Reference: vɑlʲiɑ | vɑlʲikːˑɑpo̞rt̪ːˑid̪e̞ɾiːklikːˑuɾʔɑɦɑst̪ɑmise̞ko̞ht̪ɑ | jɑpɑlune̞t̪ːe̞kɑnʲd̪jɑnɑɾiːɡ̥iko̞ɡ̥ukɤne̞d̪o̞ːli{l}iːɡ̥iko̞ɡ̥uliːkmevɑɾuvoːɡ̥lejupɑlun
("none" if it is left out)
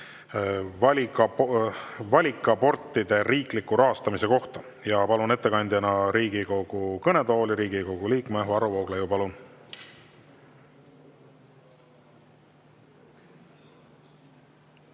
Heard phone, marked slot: ɾ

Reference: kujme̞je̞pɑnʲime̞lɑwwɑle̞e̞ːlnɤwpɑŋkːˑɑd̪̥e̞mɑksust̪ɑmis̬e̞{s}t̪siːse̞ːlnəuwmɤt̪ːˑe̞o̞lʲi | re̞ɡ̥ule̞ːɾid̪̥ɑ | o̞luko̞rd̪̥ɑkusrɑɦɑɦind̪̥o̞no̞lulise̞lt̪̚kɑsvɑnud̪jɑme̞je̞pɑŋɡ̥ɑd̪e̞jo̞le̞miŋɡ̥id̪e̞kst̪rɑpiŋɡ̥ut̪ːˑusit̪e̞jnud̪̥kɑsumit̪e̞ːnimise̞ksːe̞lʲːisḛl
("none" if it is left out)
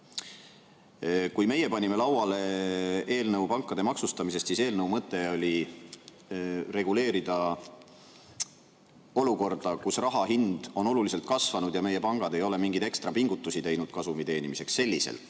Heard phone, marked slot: s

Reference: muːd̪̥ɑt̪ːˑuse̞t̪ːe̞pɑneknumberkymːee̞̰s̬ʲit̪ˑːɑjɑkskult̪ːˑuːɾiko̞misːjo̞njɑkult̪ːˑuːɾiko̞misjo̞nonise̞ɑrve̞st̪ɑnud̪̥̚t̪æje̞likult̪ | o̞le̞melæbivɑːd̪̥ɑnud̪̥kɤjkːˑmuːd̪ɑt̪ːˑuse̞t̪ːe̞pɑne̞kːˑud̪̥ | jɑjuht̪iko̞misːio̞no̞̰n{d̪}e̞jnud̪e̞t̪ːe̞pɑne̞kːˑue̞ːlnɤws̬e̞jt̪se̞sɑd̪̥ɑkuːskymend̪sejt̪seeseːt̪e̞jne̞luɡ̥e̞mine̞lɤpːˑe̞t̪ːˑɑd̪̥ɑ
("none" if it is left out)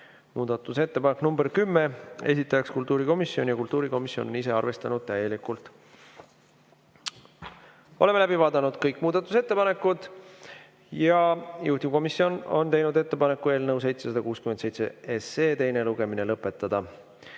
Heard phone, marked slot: t̪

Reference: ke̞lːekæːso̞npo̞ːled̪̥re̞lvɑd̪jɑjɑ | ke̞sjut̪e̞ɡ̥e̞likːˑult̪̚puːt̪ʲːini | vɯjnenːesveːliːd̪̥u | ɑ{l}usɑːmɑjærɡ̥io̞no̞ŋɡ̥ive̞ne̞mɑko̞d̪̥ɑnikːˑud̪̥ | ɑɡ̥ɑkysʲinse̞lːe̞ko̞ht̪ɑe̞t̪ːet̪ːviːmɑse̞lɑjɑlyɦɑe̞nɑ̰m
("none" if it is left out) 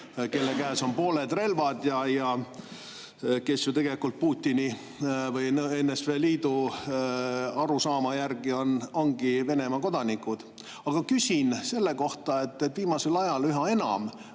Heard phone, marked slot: ɾ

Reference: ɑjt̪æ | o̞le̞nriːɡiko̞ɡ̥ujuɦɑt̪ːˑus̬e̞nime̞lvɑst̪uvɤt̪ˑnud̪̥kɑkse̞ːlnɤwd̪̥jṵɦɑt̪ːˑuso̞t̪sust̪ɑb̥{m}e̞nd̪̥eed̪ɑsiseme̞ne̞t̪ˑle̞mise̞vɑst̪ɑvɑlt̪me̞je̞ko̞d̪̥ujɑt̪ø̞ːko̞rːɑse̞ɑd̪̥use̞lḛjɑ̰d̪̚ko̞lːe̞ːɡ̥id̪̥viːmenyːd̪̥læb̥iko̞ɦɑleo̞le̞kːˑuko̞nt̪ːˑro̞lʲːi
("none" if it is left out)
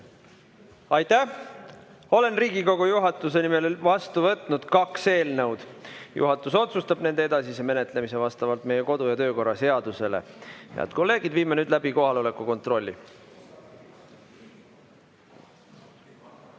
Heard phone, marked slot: n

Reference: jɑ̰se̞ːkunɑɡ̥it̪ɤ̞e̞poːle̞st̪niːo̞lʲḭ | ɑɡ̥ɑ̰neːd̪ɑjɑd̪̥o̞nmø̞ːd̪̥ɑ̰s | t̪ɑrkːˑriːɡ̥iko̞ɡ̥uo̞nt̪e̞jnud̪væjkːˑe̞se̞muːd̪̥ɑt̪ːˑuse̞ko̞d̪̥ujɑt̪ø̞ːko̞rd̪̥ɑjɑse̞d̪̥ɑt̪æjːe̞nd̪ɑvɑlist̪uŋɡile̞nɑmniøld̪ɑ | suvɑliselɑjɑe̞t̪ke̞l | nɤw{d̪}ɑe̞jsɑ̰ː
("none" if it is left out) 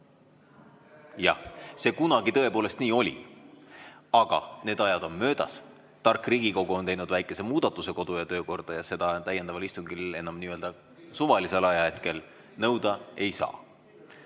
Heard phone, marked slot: d̪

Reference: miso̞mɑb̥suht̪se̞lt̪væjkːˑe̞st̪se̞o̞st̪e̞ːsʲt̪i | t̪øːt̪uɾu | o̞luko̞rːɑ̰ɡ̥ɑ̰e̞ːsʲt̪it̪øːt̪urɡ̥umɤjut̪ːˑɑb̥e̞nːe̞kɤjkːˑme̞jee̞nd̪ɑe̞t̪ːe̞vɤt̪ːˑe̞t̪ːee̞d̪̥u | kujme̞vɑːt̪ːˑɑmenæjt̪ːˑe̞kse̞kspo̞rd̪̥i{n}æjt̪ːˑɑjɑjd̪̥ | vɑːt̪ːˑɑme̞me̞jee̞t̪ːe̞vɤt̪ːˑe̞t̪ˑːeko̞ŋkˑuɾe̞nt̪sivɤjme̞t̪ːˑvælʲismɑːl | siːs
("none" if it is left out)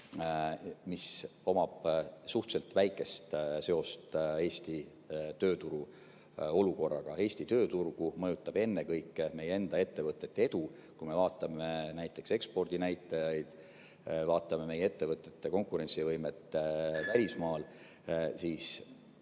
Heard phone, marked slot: n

